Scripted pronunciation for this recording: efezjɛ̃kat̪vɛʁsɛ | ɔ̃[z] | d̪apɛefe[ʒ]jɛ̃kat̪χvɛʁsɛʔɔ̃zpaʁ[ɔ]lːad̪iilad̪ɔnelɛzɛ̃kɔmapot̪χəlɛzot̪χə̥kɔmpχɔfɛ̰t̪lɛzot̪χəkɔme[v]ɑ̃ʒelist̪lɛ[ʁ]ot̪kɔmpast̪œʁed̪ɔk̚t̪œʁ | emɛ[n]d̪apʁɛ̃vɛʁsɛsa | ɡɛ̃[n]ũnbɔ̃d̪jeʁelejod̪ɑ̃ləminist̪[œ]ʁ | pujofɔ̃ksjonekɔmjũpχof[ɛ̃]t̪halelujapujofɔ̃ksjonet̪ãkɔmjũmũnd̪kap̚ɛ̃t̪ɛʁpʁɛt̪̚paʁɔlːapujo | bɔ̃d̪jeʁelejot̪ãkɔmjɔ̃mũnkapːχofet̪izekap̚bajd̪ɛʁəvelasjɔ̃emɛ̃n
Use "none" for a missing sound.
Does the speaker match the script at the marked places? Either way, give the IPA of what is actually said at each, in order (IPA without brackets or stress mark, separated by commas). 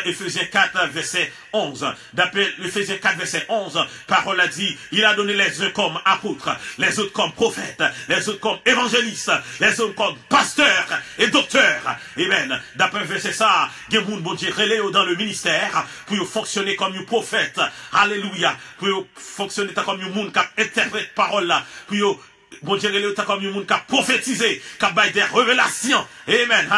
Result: z, z, ɔ, v, z, n, m, ɛ, ɛ